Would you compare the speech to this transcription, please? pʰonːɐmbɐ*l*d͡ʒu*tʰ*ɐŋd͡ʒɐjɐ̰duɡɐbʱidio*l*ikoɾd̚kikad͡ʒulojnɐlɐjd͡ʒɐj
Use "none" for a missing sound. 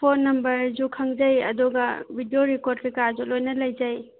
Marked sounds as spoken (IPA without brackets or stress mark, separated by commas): ɾ, kʰ, ɾ